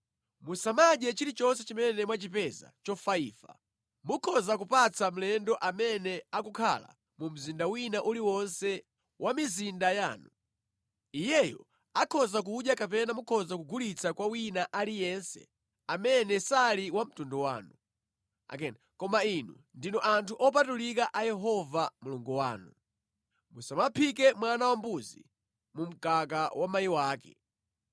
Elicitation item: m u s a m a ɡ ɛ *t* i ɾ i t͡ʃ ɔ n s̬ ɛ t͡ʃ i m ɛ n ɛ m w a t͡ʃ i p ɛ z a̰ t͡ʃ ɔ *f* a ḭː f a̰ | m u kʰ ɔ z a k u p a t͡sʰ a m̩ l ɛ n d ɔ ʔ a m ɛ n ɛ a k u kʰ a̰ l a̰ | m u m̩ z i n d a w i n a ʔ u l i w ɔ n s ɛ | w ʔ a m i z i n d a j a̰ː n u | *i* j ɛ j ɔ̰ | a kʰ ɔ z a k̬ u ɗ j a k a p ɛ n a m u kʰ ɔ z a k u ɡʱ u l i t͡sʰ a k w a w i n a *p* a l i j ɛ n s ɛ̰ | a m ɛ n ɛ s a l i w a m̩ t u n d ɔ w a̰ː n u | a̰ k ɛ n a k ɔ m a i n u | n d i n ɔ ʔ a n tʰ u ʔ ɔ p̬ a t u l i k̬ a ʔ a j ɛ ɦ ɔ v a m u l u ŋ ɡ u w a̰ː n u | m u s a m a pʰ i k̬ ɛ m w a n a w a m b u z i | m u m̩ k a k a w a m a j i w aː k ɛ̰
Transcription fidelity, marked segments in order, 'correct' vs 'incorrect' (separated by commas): incorrect, correct, correct, incorrect